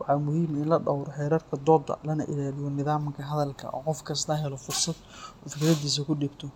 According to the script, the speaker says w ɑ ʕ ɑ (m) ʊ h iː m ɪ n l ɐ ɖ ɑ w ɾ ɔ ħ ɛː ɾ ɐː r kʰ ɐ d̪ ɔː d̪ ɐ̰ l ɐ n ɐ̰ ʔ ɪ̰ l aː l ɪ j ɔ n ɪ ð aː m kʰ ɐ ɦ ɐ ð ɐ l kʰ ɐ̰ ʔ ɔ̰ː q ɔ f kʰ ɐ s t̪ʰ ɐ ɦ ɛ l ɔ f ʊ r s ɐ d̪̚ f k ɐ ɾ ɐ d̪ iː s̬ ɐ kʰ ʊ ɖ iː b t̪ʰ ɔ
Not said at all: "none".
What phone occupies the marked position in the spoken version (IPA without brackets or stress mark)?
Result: m